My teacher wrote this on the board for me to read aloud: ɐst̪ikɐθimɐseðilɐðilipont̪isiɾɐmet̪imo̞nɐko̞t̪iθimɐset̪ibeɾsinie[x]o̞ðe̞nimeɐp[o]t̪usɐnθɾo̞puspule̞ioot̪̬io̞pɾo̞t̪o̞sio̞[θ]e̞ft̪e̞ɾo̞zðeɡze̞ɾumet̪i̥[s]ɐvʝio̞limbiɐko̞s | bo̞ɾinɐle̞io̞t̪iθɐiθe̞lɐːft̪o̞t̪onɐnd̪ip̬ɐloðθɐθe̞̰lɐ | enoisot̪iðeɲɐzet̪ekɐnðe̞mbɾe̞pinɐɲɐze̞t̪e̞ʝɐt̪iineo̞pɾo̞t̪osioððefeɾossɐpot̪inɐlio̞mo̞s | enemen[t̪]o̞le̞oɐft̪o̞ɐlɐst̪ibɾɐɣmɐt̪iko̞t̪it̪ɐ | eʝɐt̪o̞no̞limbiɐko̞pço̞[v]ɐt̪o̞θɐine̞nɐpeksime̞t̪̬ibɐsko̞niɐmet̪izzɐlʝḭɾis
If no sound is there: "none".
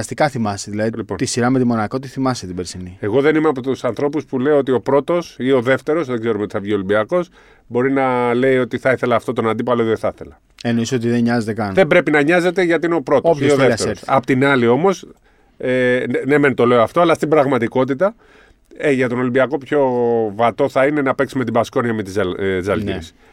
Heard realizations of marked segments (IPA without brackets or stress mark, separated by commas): ɣ, o, ð, θ, t̪, v